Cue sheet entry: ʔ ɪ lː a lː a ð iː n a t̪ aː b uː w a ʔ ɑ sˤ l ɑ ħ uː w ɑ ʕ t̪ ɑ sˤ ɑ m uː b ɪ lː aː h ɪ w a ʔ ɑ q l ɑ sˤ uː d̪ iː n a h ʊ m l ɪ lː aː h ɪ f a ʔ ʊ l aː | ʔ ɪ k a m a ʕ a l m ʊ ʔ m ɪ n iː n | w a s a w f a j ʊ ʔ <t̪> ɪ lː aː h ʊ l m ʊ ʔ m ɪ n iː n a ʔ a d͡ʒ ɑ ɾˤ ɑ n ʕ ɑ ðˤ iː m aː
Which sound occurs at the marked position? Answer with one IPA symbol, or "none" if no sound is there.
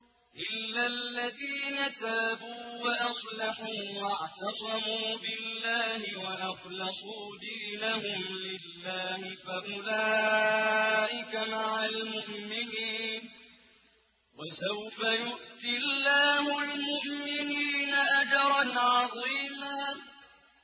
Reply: t̪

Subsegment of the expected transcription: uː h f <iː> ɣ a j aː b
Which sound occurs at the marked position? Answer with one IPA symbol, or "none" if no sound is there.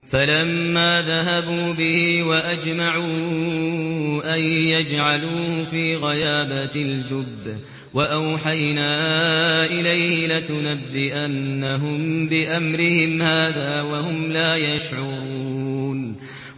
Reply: iː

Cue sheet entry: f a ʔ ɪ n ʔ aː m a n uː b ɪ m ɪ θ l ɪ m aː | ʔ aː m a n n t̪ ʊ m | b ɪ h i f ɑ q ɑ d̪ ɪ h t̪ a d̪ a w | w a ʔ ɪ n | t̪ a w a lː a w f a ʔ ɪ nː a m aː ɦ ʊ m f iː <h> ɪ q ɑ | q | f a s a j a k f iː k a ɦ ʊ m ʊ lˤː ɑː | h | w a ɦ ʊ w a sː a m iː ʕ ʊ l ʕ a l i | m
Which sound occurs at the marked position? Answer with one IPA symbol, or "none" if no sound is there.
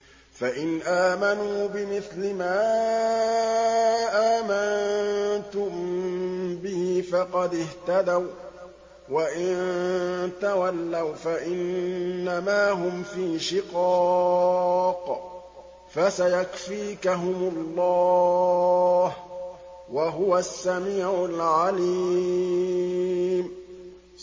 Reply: ʃ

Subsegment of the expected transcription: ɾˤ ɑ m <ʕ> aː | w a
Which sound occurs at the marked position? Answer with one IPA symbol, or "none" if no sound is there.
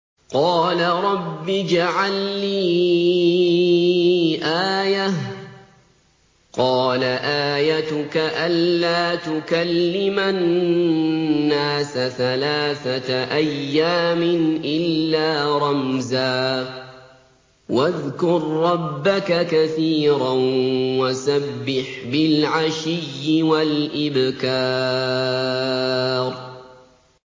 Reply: z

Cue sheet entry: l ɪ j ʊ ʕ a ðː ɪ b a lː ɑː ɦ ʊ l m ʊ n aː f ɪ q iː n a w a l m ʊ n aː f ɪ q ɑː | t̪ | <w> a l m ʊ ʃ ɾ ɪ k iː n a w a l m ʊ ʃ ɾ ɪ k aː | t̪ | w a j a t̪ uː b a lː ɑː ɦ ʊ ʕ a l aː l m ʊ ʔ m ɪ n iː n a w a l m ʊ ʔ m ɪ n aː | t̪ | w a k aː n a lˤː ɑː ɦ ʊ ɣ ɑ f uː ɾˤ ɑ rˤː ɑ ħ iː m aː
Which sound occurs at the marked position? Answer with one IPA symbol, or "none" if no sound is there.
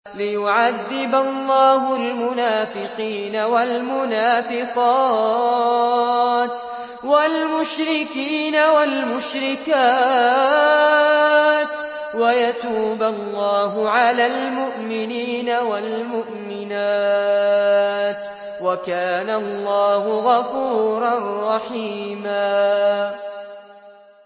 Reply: w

